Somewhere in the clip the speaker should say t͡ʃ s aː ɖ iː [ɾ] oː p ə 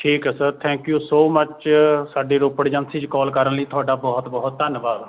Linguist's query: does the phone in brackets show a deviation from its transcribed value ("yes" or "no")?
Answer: no